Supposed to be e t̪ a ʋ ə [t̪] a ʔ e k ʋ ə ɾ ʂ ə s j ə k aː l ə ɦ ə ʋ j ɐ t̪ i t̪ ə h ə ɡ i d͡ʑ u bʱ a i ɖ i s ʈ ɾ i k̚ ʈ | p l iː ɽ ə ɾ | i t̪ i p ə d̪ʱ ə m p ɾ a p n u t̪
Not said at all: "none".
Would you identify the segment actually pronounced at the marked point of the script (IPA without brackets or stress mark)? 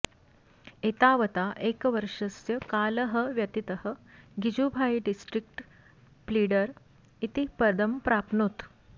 t̪